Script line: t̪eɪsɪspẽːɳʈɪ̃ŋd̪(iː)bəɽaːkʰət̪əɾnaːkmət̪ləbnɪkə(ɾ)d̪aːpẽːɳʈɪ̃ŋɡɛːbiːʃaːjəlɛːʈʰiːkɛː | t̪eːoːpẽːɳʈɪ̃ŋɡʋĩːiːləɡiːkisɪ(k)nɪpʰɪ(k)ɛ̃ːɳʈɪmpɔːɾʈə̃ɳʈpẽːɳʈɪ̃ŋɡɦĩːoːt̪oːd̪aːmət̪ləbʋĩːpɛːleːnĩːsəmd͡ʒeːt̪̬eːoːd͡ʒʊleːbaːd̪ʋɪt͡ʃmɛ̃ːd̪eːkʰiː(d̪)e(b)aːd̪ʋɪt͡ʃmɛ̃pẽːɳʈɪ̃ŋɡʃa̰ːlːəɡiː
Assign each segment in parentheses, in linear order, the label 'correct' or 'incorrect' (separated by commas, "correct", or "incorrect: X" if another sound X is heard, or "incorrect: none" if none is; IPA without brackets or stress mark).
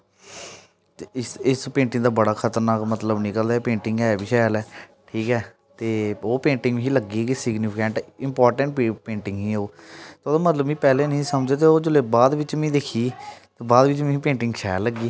incorrect: aː, incorrect: l, incorrect: ɡ, correct, incorrect: t̪, correct